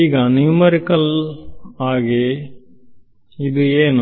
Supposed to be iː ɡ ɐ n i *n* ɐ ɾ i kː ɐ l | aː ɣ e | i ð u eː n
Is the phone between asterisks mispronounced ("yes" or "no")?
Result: yes